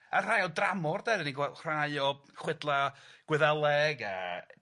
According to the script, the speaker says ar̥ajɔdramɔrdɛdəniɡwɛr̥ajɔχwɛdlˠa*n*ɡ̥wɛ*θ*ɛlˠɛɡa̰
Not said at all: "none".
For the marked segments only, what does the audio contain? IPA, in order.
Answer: none, ð

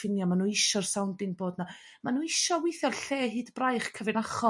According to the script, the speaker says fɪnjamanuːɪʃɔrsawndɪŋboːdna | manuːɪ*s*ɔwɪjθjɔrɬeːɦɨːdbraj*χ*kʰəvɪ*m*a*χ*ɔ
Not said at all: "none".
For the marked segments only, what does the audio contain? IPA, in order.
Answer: ʃ, χ, n, χ

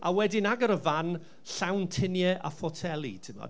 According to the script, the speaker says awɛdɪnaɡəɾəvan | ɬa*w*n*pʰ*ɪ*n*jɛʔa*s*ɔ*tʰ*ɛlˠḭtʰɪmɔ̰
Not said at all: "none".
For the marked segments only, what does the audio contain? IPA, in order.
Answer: w, tʰ, n, f, tʰ

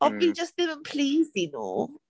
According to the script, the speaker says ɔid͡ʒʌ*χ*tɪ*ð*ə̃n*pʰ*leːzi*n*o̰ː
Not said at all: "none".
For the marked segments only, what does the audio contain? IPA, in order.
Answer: s, v, pʰ, n

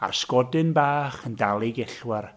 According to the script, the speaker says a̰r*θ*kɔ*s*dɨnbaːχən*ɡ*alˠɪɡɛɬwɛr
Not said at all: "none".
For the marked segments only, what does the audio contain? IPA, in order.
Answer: s, none, d

